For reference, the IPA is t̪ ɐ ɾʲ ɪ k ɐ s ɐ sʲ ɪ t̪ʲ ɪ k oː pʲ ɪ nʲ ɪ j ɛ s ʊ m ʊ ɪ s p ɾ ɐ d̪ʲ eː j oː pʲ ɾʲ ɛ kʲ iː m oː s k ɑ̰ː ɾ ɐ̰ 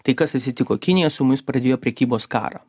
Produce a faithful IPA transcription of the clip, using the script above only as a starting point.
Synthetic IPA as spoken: t̪ ɐ ɪ k ɐ s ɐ sʲ ɪ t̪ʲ ɪ k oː kʲ ɪ nʲ ɪ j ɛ s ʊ m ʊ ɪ s p ɾ ɐ d̪ʲ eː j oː pʲ ɾʲ ɛ kʲ iː b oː s k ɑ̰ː ɾ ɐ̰